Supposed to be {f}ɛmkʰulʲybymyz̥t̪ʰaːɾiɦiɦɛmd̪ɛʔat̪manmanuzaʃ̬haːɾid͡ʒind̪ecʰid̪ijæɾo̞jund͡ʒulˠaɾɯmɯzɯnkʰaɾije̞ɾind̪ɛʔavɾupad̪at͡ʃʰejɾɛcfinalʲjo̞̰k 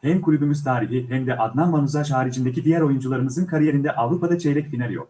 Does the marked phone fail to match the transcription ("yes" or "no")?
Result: yes